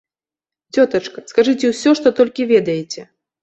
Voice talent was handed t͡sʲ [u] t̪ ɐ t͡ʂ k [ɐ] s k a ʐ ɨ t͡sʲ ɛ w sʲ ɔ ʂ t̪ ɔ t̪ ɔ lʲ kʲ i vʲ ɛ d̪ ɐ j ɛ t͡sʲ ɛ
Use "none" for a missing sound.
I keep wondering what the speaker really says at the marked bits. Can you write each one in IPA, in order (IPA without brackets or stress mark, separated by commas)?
ɔ, ɐ